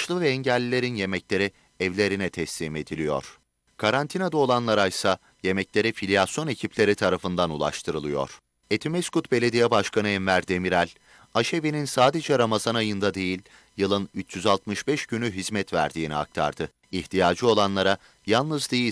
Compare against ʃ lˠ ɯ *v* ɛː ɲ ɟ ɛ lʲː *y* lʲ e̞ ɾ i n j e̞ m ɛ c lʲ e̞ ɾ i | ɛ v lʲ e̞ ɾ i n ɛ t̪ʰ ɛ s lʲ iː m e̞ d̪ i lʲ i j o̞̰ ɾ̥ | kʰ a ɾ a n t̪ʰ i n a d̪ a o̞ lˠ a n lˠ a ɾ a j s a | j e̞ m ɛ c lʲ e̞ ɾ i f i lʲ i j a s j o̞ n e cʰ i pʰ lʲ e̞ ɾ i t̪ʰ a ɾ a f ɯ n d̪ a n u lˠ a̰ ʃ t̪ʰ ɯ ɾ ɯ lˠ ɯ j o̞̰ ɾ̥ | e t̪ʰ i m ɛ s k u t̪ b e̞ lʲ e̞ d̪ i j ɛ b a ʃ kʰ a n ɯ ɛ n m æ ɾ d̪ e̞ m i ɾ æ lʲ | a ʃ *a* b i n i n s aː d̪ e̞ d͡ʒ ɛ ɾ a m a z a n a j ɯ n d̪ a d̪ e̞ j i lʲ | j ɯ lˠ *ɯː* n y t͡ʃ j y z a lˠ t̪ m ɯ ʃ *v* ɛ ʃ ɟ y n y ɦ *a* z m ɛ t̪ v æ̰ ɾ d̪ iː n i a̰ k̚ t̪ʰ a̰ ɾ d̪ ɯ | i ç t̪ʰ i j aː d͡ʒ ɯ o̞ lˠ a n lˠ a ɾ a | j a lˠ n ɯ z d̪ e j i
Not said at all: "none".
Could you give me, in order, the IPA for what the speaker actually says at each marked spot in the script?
v, i, e, ɯ, b, i

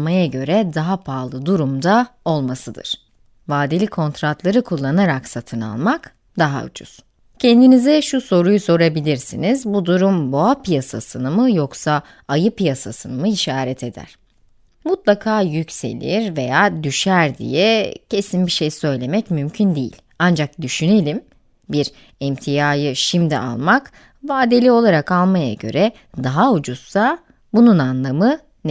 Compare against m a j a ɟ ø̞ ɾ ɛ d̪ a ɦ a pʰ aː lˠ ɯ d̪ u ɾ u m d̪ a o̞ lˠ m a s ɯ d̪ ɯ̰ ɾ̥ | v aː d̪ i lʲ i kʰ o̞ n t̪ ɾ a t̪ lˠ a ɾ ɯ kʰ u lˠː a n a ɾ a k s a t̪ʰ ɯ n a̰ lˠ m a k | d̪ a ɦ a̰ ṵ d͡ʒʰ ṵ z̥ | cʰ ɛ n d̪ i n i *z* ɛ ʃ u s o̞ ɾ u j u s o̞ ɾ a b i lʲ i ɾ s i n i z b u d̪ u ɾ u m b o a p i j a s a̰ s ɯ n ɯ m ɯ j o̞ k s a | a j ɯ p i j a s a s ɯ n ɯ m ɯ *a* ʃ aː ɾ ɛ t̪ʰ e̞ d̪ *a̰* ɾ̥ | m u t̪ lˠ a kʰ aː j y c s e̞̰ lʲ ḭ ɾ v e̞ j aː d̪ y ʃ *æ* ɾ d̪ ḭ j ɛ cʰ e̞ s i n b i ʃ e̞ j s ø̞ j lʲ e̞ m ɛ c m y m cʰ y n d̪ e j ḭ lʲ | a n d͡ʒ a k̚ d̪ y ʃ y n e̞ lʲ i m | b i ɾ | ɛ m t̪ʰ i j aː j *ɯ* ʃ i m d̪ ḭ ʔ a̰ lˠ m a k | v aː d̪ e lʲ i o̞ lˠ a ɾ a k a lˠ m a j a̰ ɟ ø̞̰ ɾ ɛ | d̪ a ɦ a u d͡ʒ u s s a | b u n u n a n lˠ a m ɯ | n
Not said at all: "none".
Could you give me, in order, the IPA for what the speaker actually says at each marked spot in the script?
z, i, æ̰, æ, ɯ

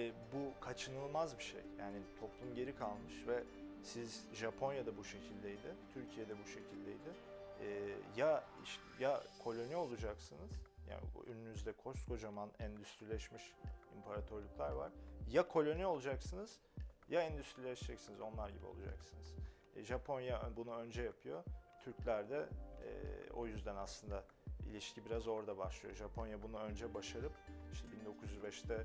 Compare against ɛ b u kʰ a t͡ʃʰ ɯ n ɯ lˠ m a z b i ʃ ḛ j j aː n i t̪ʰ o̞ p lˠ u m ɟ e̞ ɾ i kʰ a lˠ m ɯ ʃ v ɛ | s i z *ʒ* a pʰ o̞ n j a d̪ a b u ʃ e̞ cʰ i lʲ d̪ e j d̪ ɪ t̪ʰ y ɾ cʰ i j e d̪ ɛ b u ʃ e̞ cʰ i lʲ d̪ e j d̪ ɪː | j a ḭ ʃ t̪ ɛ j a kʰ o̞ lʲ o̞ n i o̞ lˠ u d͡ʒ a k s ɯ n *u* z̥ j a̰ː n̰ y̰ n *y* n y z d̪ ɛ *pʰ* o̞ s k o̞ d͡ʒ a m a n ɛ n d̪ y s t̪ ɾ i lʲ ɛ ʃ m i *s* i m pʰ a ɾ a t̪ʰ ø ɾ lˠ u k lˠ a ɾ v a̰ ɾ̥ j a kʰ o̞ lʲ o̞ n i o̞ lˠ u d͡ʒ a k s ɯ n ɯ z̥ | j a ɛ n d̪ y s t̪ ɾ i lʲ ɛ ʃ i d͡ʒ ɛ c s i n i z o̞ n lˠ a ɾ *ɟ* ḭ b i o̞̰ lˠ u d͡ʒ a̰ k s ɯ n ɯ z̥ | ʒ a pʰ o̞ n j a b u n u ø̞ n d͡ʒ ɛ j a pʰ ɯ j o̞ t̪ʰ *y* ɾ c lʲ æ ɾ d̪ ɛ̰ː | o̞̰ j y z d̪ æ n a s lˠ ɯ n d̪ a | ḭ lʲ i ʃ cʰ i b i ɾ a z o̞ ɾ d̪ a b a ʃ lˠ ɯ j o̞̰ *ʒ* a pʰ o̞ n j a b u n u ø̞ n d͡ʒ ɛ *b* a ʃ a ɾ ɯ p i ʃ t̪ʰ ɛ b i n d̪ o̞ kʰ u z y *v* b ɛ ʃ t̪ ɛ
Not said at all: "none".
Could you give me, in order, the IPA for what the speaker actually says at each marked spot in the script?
ʒ, ɯ, y, kʰ, ʃ, ɟ, y, ʒ, b, z

